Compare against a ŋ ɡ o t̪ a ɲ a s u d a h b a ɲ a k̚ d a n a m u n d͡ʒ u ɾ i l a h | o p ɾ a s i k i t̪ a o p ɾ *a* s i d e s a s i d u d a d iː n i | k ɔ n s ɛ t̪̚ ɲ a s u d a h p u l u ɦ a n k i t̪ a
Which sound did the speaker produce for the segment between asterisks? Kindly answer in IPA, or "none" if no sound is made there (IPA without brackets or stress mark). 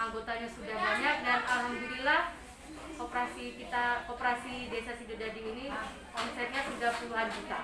a